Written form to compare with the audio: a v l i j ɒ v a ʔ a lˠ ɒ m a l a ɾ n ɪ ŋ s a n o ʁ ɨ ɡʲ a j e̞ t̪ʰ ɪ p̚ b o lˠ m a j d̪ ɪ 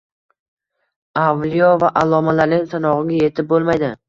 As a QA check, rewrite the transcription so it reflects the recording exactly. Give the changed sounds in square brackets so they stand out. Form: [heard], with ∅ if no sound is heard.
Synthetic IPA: a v l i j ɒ v a ʔ a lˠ ɒ m a l a ɾ n ɪ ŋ s a n [ɒ] ʁ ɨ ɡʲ a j e̞ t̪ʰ ɪ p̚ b o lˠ m a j d̪ ɪ